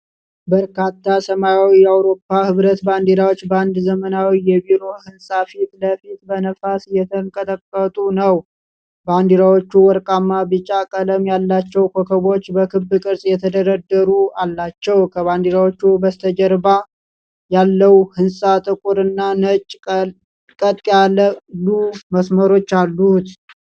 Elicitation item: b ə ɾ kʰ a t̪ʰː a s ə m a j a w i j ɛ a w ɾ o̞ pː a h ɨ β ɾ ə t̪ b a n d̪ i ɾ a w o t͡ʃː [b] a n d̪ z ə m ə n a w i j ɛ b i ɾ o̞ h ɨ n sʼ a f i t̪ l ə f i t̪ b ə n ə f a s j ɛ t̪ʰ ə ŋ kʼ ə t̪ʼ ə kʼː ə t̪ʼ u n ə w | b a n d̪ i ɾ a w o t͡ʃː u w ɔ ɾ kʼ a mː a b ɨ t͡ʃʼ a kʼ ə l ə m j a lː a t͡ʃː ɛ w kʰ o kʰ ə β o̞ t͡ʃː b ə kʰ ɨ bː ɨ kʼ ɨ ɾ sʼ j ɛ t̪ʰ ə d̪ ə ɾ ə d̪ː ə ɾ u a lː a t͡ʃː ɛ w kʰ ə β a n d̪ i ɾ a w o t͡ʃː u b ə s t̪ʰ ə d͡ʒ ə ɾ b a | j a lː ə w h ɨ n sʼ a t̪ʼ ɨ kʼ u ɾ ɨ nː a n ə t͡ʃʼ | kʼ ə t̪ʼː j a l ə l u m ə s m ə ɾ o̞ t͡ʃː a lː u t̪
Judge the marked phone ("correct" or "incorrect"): correct